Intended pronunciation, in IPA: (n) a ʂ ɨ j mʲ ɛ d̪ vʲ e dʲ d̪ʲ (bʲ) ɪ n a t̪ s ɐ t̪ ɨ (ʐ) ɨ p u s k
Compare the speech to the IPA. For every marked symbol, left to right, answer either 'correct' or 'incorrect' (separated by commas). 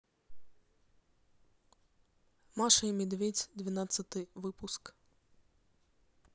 incorrect, incorrect, incorrect